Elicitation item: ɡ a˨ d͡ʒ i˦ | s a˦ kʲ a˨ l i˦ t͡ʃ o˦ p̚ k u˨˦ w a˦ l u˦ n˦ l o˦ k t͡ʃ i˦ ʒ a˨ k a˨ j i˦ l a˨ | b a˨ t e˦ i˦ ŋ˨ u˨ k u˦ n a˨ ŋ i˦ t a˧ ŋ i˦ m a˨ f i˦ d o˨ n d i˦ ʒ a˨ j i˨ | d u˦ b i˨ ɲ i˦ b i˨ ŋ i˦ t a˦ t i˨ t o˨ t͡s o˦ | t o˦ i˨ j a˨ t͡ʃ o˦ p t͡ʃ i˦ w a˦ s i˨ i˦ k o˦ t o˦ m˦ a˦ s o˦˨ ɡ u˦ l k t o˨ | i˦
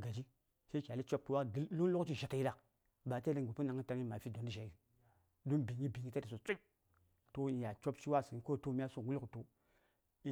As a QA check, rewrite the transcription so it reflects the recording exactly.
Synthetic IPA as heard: ɡ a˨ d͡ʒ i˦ | s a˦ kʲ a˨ l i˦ t͡ʃ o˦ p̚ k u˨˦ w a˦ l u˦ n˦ l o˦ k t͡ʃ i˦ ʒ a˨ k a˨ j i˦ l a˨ | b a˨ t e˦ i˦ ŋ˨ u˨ p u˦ n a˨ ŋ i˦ t a˧ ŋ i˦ m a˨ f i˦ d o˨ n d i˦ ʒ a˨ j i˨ | d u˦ b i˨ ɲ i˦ b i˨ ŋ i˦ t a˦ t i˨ s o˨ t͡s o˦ | t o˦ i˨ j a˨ t͡ʃ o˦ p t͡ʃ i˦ w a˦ s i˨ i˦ k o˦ t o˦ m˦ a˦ s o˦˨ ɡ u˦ l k t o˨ | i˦